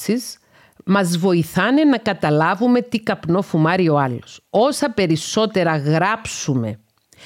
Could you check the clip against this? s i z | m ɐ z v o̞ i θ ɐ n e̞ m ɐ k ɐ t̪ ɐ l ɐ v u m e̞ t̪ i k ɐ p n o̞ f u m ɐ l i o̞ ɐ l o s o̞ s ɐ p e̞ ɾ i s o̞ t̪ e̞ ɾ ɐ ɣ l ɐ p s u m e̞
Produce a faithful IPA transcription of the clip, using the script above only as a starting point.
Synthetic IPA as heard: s i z | m ɐ z v o̞ i θ ɐ n e̞ n ɐ k ɐ t̪ ɐ l ɐ v u m e̞ t̪ i k ɐ p n o̞ f u m ɐ ɾ i o̞ ɐ l o s o̞ s ɐ p e̞ ɾ i s o̞ t̪ e̞ ɾ ɐ ɣ ɾ ɐ p s u m e̞